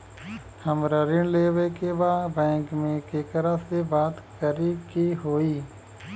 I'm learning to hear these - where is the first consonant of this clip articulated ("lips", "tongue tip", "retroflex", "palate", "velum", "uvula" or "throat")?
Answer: throat